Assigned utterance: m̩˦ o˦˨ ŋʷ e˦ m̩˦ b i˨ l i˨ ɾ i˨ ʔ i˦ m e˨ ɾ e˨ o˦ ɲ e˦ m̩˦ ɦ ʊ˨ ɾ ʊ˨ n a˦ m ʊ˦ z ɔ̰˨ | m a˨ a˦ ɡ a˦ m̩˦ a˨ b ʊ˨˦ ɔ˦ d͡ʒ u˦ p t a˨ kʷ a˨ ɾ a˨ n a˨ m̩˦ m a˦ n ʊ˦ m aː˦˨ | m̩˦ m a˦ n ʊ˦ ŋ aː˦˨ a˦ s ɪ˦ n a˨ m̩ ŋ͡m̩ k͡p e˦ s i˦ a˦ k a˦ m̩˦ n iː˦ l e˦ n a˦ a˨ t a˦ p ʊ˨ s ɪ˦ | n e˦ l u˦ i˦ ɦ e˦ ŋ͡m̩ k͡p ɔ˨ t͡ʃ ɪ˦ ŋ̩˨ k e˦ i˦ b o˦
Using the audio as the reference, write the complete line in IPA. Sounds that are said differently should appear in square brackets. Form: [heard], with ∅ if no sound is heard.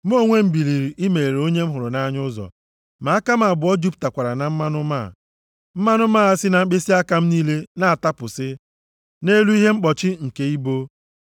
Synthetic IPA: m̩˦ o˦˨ ŋʷ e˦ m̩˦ b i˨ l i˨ ɾ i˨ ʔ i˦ m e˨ ɾ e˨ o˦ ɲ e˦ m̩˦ ɦ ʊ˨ ɾ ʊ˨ n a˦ [ɲ] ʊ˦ z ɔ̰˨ | m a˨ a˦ [k] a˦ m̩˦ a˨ b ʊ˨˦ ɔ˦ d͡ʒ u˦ p t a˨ kʷ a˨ ɾ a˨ n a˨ m̩˦ m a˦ n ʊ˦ m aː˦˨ | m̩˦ m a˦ n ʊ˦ [m] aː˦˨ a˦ s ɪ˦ n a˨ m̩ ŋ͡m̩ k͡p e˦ s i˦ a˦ k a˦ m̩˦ n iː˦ l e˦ n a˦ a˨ t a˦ p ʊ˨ s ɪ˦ | n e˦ l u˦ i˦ ɦ e˦ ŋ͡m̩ k͡p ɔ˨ t͡ʃ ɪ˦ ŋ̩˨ k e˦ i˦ b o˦

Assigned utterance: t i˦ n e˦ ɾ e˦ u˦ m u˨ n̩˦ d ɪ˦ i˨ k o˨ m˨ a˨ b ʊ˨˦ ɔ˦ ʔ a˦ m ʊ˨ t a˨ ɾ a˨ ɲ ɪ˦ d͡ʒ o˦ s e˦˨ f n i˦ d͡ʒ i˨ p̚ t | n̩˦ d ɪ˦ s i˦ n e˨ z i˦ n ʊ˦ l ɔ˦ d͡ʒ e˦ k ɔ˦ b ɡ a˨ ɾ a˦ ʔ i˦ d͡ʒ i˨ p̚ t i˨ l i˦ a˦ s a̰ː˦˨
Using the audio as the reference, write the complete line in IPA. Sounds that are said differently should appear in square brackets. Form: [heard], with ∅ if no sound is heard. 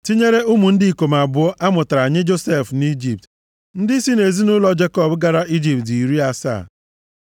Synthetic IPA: t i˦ [ɲ] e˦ ɾ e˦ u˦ m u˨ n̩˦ d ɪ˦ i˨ k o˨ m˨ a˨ b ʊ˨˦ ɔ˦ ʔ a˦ m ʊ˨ t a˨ ɾ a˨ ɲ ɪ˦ d͡ʒ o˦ s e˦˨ f n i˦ d͡ʒ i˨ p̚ t | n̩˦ d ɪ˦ s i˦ n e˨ z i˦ n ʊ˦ l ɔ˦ d͡ʒ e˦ k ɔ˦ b ɡ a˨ ɾ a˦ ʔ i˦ d͡ʒ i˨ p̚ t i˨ [ɾ] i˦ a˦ s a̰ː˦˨

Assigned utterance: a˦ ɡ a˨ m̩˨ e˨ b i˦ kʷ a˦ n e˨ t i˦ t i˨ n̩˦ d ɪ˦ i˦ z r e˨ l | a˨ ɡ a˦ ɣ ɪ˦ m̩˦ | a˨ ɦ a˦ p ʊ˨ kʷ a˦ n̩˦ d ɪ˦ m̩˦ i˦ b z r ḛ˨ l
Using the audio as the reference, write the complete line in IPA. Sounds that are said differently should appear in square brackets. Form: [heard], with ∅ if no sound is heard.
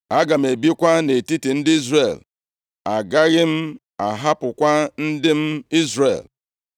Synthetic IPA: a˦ ɡ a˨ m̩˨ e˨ b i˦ kʷ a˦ n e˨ t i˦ t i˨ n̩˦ d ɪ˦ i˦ z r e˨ l | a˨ ɡ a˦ ɣ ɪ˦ m̩˦ | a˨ ɦ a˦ p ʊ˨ kʷ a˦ n̩˦ d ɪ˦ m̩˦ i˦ [∅] z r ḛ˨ l

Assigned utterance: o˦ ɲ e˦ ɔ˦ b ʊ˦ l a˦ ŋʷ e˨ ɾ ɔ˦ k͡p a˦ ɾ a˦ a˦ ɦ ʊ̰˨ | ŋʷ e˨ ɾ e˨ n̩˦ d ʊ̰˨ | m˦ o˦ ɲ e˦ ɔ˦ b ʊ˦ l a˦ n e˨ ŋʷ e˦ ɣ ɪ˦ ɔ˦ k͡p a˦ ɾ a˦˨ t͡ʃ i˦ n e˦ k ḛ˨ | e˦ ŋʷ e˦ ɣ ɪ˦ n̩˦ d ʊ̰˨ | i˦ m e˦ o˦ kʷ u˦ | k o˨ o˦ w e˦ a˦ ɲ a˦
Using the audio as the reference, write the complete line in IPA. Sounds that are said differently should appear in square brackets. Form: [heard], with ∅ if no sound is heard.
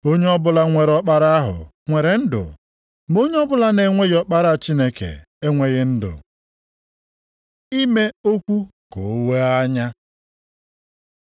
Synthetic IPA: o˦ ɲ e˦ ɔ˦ b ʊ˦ l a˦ ŋʷ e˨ ɾ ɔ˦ k͡p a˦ ɾ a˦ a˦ ɦ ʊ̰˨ | ŋʷ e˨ ɾ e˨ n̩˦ d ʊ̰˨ | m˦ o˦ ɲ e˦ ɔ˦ b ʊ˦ l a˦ n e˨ ŋʷ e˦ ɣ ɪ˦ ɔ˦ k͡p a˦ ɾ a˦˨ t͡ʃ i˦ n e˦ k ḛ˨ | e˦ ŋʷ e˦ ɣ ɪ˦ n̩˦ d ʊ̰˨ | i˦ m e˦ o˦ kʷ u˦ | k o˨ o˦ w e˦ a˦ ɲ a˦

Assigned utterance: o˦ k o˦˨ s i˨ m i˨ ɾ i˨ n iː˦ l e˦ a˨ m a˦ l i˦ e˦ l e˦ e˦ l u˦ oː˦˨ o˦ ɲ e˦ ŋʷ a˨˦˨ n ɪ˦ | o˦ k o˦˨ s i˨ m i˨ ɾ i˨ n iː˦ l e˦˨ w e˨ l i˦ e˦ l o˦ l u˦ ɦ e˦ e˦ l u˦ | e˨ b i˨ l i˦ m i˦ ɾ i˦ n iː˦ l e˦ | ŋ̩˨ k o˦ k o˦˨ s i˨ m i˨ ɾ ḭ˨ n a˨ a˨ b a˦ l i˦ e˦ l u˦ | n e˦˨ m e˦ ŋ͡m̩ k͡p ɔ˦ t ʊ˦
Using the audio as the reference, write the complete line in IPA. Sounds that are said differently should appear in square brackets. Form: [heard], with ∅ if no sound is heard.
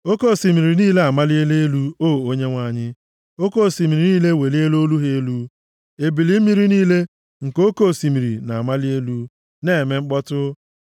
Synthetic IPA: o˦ k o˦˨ s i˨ m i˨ ɾ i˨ n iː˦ l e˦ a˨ m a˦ l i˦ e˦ l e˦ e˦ l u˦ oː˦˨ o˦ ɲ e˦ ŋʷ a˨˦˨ [ɲ] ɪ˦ | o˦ k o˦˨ s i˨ m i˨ ɾ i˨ n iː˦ l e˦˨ w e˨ l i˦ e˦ l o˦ l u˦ ɦ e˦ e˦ l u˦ | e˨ b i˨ l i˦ m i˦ ɾ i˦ n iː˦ l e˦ | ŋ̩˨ k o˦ k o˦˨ s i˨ m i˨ ɾ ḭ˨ n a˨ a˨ [m] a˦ l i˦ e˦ l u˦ | n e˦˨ m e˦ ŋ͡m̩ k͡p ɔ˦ t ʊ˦

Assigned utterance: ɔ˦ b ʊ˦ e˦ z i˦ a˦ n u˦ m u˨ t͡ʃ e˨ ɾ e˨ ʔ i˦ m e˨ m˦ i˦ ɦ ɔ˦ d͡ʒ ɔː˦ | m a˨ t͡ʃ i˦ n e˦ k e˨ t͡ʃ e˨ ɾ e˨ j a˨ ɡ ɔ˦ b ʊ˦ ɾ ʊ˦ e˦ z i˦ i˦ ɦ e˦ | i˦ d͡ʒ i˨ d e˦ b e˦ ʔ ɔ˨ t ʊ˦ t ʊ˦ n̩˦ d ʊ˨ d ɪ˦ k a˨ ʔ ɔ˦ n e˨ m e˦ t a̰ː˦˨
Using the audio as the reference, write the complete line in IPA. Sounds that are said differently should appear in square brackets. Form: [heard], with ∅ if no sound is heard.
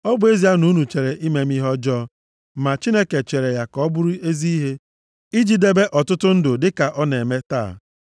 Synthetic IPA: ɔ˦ b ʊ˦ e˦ z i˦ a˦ n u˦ [n] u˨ t͡ʃ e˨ ɾ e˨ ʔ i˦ m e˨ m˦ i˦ ɦ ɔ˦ d͡ʒ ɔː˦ | m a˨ t͡ʃ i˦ n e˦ k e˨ t͡ʃ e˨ ɾ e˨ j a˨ [k] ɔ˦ b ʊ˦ ɾ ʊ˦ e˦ z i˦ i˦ ɦ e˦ | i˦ d͡ʒ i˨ d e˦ b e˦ ʔ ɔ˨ t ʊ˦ t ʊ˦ n̩˦ d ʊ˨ d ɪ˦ k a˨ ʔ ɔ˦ n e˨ m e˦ t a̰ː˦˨

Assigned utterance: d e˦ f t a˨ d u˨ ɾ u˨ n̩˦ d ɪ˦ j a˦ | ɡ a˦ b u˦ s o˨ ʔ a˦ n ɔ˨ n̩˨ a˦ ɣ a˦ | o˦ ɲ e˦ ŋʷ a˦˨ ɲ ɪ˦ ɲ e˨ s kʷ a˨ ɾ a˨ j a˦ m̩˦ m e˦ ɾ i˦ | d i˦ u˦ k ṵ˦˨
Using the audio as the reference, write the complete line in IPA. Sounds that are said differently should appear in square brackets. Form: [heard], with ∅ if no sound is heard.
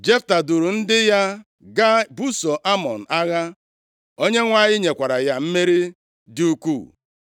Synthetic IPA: [d͡ʒ] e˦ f t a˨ d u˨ ɾ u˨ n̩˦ d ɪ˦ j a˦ | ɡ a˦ b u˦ s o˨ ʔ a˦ [m] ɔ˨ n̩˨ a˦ ɣ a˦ | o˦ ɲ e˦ ŋʷ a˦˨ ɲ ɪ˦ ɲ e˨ [∅] kʷ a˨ ɾ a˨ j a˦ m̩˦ m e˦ ɾ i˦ | d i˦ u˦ k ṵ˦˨

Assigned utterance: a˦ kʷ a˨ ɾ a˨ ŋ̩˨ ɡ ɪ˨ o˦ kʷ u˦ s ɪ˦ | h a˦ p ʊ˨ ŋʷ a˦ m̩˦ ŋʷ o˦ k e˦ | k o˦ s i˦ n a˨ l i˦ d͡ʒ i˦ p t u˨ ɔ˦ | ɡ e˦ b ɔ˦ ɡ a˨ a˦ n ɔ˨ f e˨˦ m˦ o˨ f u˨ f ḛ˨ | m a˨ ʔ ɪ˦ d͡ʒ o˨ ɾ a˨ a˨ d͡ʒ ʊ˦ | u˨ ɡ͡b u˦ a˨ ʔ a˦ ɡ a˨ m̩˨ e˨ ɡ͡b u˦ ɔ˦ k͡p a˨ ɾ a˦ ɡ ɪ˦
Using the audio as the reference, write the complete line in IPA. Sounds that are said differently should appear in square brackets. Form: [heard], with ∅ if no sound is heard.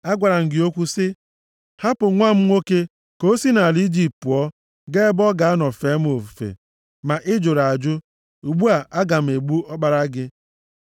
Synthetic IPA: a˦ [ɡʷ] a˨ ɾ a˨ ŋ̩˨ ɡ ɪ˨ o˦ kʷ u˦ s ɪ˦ | h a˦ p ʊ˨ ŋʷ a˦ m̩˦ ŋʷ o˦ k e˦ | k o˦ s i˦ n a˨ l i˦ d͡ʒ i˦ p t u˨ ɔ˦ | ɡ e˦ b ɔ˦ ɡ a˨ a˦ n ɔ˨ f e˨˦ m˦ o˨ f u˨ f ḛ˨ | m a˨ ʔ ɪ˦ d͡ʒ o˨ ɾ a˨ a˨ d͡ʒ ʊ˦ | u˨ ɡ͡b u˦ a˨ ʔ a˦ ɡ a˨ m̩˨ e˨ ɡ͡b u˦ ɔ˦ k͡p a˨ ɾ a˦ ɡ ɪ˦

